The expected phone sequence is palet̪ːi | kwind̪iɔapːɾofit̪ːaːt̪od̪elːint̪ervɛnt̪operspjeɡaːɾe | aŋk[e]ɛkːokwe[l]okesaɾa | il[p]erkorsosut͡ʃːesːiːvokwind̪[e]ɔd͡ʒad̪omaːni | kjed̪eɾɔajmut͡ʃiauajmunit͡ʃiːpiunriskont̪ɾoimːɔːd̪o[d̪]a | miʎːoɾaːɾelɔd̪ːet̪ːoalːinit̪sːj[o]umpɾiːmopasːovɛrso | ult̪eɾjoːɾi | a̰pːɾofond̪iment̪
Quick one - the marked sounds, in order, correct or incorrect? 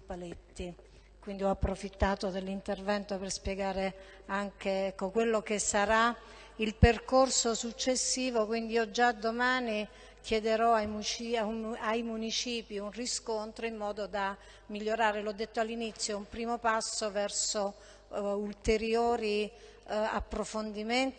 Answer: correct, incorrect, correct, incorrect, correct, correct

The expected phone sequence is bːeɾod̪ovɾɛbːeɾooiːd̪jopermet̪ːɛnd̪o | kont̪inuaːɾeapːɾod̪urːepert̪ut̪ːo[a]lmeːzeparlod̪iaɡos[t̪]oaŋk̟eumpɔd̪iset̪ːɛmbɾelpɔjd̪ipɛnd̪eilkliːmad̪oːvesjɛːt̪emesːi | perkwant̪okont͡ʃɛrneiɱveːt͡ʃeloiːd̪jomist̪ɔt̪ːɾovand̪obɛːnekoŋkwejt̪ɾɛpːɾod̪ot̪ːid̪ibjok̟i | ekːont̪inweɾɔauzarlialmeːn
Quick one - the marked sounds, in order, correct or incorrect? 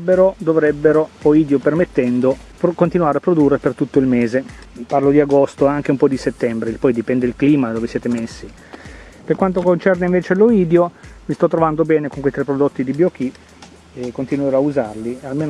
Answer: incorrect, correct

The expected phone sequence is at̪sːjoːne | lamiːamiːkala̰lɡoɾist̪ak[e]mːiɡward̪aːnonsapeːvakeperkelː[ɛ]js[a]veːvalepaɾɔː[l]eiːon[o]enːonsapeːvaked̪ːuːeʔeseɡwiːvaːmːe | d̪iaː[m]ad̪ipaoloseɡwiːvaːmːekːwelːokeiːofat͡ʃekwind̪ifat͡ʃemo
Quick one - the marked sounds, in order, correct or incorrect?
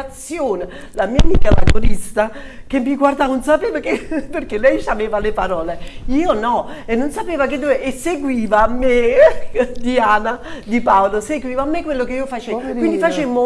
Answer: correct, correct, correct, correct, incorrect, incorrect

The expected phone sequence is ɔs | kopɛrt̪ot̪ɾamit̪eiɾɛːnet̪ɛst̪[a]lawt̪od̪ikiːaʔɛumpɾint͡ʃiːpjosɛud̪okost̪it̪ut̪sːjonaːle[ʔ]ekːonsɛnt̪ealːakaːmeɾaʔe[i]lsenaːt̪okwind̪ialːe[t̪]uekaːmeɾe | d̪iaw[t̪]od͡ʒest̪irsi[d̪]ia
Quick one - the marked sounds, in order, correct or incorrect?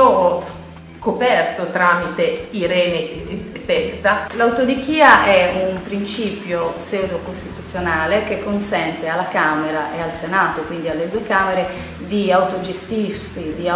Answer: correct, incorrect, incorrect, incorrect, correct, correct

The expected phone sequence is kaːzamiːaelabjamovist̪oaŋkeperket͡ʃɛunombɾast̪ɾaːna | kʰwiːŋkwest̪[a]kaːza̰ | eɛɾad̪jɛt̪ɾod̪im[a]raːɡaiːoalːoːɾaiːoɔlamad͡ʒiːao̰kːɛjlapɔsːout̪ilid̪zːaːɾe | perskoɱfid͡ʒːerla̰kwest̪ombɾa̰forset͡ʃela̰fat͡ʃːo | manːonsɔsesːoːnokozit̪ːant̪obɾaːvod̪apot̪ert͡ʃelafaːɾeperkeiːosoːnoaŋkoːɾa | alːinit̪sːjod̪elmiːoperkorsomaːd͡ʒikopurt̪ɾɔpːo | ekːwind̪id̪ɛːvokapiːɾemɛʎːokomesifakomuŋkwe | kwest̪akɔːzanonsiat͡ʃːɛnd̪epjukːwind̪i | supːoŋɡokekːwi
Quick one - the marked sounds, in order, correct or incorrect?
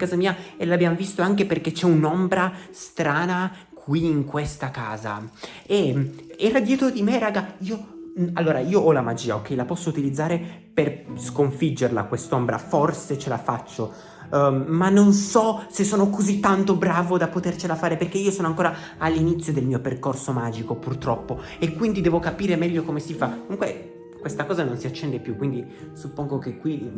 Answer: correct, incorrect

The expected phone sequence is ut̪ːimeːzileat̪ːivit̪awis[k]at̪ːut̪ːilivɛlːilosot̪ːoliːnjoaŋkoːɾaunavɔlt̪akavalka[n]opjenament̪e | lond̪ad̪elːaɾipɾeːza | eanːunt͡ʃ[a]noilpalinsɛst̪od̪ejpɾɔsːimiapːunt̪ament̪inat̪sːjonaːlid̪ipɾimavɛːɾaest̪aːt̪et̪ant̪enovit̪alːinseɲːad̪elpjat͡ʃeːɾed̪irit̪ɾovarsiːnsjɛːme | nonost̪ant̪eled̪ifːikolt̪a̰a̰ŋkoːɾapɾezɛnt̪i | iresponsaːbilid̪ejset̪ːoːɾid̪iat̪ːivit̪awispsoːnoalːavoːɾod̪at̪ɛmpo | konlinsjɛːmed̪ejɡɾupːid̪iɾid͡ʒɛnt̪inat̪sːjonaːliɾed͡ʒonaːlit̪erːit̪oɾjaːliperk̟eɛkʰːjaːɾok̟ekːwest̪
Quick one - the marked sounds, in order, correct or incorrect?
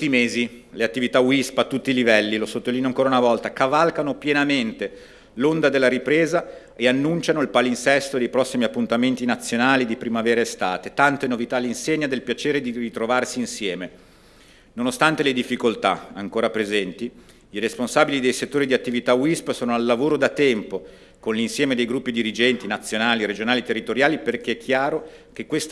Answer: incorrect, correct, correct

